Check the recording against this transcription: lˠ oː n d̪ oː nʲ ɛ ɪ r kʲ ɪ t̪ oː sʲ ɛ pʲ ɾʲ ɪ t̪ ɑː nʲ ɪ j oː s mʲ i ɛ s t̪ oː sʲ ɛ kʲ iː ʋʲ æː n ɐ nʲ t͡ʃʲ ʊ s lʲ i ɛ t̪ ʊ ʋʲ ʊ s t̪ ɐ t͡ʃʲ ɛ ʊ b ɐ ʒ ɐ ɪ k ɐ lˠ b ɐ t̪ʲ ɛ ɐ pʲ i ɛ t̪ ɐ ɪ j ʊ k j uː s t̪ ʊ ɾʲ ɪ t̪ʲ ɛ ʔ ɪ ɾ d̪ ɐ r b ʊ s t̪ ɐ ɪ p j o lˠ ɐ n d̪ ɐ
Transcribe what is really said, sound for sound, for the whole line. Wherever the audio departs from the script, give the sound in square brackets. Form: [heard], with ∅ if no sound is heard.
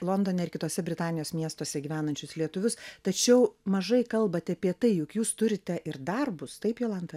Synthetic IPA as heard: lˠ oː n d̪ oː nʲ ɛ ɪ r kʲ ɪ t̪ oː sʲ ɛ [bʲ] ɾʲ ɪ t̪ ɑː nʲ ɪ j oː s mʲ i ɛ s t̪ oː sʲ ɛ [ɡʲ] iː ʋʲ æː n ɐ nʲ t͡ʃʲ ʊ s lʲ i ɛ t̪ ʊ ʋʲ ʊ s t̪ ɐ t͡ʃʲ ɛ ʊ [m] ɐ ʒ ɐ ɪ k ɐ lˠ b ɐ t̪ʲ ɛ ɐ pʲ i ɛ t̪ ɐ ɪ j ʊ k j uː s t̪ ʊ ɾʲ ɪ t̪ʲ ɛ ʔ ɪ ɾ d̪ ɐ r b ʊ s t̪ ɐ ɪ p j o lˠ ɐ n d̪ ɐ